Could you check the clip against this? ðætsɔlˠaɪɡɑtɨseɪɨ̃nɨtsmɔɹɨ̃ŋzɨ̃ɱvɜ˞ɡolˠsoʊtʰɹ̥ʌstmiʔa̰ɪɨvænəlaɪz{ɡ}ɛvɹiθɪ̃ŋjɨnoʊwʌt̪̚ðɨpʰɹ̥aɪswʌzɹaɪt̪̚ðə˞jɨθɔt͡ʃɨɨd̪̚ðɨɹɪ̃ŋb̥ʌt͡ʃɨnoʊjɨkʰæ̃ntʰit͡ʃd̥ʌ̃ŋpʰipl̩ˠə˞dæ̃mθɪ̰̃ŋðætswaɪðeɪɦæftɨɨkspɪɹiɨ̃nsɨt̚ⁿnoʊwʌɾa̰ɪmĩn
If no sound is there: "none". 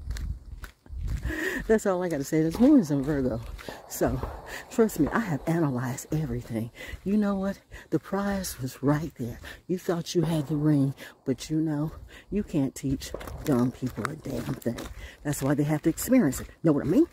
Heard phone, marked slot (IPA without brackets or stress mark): d